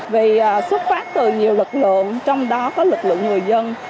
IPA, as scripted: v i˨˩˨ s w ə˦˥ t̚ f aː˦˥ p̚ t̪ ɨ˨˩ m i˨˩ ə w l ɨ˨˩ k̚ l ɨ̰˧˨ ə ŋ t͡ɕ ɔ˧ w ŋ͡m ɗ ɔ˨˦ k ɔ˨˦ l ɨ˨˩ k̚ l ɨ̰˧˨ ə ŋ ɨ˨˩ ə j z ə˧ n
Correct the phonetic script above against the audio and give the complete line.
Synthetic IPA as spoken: v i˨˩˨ s w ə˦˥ t̚ f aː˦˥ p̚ t̪ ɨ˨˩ ɲ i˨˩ ə w l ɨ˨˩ k̚ l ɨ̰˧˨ ə ŋ t͡ɕ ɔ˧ w ŋ͡m ɗ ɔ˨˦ k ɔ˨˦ l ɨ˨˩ k̚ l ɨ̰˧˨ ə ŋ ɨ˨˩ ə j z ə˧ n